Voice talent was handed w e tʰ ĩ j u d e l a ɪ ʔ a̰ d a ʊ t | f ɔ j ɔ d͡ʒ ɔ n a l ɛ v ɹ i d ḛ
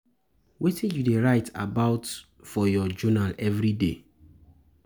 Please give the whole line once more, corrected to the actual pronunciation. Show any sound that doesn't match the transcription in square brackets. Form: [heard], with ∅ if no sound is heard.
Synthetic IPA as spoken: w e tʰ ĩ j u d e [ɹ] a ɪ [t] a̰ [b] a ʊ t | f ɔ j ɔ d͡ʒ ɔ n a l ɛ v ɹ i d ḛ